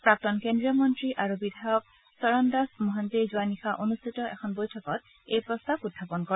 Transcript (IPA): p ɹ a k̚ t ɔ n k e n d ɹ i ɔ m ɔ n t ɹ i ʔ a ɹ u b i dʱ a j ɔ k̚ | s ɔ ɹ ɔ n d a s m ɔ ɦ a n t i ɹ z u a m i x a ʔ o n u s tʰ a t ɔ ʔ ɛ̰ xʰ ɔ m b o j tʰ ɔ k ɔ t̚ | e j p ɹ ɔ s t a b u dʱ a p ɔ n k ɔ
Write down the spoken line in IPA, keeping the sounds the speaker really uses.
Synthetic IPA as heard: p ɹ a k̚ t ɔ n k e n d ɹ i ɔ m ɔ n t ɹ i ʔ a ɹ u b i dʱ a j ɔ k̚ | s ɔ ɹ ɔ n d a s m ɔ ɦ a n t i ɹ z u a n i x a ʔ o n u s tʰ i t ɔ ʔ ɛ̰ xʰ ɔ n b o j tʰ ɔ k ɔ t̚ | e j p ɹ ɔ s t a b u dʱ a p ɔ n k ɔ